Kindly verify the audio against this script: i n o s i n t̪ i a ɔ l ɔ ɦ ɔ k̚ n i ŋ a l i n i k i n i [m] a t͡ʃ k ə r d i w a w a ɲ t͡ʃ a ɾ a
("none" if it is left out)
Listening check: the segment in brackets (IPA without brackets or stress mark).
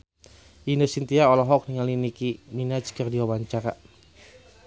n